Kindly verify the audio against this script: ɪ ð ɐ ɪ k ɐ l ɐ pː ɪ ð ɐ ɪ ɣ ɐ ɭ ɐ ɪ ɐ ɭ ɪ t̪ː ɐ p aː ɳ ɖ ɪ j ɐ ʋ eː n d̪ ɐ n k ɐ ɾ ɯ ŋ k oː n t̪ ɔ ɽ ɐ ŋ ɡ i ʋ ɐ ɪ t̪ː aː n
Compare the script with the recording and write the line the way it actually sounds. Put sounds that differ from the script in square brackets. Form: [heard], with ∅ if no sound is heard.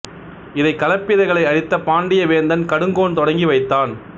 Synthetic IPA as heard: ɪ ð ɐ ɪ k ɐ l ɐ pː ɪ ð ɐ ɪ ɣ ɐ ɭ ɐ ɪ ɐ [ɽ] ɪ t̪ː ɐ p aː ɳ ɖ ɪ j ɐ ʋ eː n d̪ ɐ n k ɐ [ɽ] ɯ ŋ [ɡ] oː n t̪ ɔ ɽ ɐ ŋ ɡ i ʋ ɐ ɪ t̪ː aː n